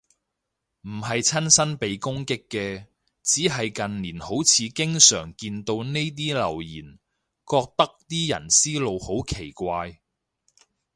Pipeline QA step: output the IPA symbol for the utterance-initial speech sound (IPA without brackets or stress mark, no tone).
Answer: m̩